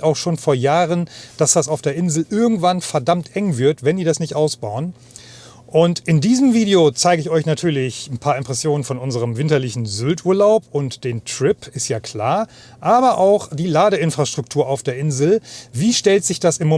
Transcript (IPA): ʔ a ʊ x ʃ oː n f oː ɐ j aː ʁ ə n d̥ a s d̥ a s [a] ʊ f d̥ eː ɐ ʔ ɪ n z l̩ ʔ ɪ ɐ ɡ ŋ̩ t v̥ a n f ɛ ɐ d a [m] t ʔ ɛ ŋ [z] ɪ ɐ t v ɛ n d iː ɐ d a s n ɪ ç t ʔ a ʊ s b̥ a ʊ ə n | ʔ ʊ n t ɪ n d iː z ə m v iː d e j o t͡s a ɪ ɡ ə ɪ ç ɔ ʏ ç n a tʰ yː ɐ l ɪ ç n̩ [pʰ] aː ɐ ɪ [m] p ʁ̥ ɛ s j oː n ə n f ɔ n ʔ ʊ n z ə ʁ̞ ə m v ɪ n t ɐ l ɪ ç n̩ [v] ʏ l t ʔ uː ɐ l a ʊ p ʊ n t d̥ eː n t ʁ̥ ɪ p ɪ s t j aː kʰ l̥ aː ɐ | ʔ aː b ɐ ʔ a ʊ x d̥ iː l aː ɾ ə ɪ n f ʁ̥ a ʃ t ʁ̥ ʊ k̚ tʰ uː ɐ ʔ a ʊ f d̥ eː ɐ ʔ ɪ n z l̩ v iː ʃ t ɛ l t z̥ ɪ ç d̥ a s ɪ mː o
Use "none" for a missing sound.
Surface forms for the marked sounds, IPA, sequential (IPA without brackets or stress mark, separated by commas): a, m, v, pʰ, m, z